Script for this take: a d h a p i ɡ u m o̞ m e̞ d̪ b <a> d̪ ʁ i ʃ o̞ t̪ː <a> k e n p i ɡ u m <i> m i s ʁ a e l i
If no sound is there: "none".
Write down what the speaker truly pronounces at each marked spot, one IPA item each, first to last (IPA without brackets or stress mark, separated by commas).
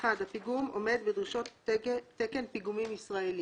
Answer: e, e, i